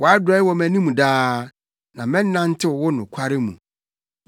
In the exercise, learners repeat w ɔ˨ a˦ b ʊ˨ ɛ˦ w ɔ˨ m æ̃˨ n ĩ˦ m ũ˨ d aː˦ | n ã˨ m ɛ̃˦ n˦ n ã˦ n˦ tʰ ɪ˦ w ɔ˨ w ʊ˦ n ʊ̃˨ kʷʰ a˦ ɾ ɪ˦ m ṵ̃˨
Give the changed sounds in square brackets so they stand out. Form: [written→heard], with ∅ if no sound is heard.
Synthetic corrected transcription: w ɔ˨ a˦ [b→d] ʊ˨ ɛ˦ w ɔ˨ m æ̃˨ n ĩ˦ m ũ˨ d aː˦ | n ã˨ m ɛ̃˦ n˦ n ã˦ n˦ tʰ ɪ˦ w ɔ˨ w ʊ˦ n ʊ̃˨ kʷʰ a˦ ɾ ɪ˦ m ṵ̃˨